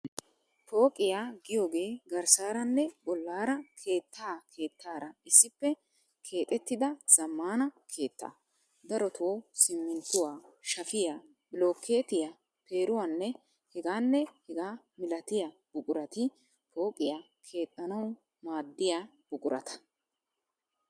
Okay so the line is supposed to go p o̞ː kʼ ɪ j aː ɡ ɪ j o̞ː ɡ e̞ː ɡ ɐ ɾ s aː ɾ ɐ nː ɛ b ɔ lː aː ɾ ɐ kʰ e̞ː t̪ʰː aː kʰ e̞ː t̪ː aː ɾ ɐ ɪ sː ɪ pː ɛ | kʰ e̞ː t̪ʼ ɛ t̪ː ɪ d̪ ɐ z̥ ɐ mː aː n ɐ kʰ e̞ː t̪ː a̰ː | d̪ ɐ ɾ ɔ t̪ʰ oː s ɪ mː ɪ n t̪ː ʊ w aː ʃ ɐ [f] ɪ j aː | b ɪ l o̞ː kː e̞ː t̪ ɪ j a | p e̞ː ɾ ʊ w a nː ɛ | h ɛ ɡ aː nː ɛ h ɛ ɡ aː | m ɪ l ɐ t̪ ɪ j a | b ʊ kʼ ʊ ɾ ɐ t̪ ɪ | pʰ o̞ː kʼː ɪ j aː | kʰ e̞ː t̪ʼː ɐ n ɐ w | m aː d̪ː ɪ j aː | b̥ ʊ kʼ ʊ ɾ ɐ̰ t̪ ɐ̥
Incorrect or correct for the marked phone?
correct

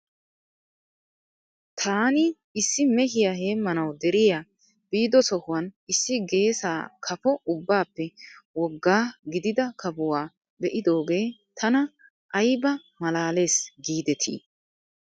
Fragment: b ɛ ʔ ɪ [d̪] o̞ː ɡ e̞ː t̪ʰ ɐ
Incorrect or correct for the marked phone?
correct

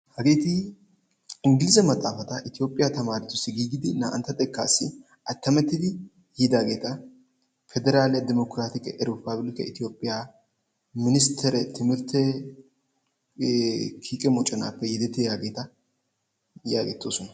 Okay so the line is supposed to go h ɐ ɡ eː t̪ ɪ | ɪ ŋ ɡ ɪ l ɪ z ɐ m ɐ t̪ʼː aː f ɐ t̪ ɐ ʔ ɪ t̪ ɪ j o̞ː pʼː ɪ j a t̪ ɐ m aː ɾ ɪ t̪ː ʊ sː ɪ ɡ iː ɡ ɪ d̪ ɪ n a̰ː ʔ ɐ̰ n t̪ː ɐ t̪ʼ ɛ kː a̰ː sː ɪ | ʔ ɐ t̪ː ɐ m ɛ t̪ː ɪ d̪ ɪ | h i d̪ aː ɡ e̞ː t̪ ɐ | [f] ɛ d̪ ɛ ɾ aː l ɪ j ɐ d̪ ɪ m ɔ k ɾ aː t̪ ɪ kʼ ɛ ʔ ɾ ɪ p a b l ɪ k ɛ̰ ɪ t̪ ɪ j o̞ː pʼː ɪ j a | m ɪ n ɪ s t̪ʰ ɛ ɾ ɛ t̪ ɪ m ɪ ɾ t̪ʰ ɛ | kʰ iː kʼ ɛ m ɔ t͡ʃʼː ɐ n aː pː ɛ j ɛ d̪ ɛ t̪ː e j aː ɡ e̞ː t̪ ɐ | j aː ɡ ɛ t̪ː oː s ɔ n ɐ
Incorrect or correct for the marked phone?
correct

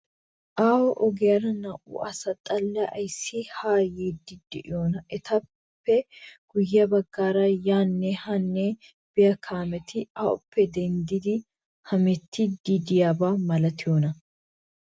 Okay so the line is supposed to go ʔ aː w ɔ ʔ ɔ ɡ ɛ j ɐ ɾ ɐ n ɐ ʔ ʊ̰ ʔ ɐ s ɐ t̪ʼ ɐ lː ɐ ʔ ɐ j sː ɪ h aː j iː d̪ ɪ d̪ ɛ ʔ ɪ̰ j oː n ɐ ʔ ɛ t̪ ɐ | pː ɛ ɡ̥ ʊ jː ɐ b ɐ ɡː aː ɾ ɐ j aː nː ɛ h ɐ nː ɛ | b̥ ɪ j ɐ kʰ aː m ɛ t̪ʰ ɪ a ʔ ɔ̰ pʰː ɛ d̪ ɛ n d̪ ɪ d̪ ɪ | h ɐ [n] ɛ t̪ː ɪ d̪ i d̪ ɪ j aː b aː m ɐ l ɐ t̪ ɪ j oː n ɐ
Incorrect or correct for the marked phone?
incorrect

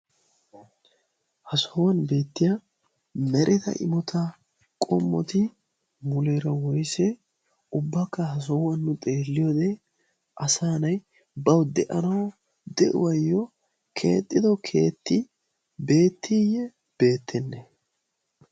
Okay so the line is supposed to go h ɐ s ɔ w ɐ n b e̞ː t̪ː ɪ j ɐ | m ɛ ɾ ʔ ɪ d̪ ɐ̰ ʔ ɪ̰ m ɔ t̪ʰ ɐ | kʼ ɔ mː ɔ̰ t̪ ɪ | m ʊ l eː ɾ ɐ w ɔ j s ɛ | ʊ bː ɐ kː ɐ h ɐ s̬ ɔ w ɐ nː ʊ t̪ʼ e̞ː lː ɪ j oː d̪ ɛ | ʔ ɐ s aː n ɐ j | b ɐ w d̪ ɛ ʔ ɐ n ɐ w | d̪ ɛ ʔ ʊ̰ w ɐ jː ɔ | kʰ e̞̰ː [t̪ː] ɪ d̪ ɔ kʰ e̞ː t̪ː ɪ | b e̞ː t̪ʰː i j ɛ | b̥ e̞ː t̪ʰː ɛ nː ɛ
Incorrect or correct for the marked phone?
incorrect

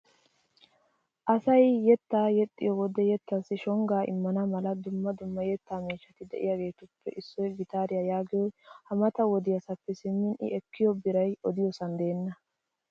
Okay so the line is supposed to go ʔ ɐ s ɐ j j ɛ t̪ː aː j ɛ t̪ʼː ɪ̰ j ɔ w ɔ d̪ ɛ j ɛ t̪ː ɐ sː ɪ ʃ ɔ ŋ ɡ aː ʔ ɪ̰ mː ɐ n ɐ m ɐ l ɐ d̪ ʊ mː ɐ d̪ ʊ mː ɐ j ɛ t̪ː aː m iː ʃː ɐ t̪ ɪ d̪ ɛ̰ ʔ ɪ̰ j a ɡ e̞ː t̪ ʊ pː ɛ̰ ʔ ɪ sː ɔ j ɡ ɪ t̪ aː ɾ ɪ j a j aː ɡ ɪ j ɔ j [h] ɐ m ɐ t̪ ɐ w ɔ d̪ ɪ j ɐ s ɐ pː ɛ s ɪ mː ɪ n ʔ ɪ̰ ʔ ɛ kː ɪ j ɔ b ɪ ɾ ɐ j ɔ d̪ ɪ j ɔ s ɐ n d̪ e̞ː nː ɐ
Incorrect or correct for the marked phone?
correct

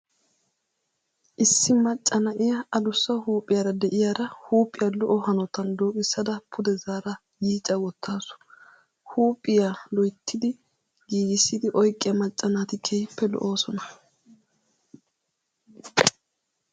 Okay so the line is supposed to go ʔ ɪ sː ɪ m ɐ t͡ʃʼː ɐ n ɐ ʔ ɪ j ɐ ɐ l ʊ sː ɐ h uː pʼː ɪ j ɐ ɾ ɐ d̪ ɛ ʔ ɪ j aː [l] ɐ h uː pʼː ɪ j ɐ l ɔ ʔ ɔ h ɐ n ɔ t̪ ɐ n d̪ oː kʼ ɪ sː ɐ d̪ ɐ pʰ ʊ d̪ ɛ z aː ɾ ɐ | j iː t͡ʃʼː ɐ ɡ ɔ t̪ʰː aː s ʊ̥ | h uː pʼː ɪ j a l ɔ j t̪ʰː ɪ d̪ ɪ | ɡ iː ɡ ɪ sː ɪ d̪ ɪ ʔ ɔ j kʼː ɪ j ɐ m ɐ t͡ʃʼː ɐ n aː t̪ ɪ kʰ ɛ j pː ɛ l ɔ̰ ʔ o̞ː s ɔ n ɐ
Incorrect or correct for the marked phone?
incorrect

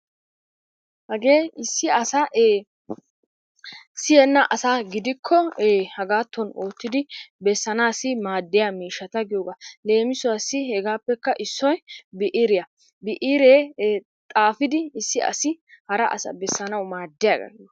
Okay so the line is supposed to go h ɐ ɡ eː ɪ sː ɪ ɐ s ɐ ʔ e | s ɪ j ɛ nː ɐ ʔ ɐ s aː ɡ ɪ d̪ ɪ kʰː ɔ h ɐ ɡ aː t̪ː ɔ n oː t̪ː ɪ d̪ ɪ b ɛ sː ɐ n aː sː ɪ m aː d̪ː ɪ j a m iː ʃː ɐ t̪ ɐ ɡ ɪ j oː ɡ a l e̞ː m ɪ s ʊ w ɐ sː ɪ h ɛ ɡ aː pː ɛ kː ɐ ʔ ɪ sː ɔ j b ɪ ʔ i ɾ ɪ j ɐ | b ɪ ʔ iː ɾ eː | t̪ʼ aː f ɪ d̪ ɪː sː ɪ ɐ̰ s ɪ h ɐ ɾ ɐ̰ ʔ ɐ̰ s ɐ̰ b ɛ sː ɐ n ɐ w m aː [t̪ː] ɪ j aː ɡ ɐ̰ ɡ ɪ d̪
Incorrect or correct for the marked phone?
incorrect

